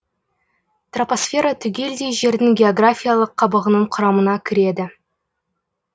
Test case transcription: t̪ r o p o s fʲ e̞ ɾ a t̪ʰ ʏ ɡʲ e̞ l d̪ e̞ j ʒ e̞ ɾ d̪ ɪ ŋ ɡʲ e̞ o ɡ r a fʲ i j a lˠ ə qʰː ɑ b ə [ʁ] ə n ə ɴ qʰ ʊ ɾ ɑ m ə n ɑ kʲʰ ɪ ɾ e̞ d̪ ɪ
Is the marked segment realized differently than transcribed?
no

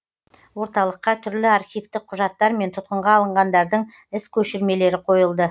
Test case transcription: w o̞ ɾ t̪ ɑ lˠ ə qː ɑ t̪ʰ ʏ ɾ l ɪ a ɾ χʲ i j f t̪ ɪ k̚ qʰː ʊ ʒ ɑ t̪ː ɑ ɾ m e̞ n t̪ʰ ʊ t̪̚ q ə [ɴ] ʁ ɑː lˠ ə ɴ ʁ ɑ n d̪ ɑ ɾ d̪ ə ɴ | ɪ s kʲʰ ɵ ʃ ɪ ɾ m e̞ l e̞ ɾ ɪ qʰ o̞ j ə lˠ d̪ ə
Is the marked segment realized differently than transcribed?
no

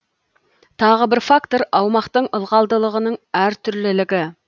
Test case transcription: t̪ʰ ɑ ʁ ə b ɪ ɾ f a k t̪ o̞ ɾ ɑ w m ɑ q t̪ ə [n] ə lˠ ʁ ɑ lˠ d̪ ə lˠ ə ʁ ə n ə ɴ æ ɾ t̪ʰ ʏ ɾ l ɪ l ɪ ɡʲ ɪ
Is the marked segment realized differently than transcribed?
yes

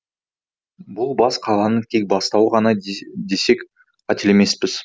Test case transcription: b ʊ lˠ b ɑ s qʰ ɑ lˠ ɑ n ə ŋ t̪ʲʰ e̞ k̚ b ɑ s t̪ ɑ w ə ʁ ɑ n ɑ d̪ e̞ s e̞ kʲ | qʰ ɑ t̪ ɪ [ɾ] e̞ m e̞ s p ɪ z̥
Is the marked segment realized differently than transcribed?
yes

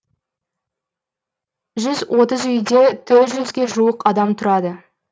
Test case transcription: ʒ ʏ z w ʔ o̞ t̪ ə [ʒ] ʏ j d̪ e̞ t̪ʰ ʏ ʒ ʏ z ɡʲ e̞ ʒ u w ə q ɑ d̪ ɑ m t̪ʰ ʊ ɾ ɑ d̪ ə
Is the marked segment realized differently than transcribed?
yes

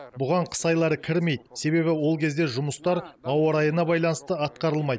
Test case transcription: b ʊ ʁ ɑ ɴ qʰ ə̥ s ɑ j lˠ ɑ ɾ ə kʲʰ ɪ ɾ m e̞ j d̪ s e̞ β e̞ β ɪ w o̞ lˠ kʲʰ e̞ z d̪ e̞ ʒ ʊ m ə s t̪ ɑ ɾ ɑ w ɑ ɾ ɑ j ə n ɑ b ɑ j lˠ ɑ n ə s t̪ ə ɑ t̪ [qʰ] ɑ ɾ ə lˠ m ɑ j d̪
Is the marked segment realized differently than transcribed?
yes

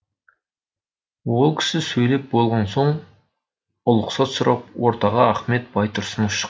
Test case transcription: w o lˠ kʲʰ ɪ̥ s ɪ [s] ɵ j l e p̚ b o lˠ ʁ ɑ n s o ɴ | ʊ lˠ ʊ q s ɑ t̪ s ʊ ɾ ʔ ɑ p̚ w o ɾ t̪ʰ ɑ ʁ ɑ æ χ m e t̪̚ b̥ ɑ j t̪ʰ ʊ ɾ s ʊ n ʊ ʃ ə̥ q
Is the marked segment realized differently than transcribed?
no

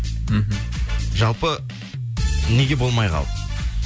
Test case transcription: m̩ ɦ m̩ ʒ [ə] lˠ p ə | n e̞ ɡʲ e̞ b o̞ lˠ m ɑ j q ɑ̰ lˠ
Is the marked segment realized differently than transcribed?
yes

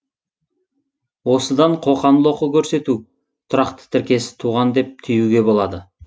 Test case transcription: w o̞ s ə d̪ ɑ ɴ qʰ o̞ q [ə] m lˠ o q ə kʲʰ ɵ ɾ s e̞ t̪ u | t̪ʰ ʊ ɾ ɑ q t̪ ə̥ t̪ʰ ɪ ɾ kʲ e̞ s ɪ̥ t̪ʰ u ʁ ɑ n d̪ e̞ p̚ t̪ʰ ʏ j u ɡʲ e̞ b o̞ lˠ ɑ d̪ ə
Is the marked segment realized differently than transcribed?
yes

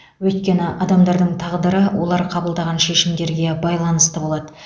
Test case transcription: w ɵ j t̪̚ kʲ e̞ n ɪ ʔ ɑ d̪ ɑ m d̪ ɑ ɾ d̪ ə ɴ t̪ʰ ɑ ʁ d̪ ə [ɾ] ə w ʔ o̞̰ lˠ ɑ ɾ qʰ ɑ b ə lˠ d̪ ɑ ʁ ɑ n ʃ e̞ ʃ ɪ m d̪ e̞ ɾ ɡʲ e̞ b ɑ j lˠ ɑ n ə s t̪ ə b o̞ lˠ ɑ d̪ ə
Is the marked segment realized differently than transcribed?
no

